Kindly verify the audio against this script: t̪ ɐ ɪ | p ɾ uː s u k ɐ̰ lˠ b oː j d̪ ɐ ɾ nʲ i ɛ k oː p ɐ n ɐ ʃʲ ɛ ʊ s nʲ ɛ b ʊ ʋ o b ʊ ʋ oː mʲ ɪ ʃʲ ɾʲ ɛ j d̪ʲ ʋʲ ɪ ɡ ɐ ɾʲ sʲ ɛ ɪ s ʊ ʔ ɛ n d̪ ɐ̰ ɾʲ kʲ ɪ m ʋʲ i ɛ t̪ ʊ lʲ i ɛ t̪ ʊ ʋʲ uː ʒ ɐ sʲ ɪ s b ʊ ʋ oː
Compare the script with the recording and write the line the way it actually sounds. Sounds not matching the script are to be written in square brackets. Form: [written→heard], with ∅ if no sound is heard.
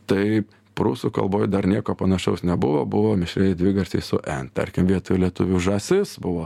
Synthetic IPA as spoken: t̪ ɐ ɪ | p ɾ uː s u k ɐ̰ lˠ b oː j d̪ ɐ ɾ nʲ i ɛ k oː p ɐ n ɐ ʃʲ ɛ ʊ s nʲ ɛ b ʊ ʋ o b ʊ ʋ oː mʲ ɪ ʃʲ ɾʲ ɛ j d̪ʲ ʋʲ ɪ ɡ ɐ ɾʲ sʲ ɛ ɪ s ʊ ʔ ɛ n [d̪→t̪] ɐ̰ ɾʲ kʲ ɪ m ʋʲ i ɛ t̪ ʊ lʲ i ɛ t̪ ʊ ʋʲ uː ʒ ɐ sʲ ɪ s b ʊ ʋ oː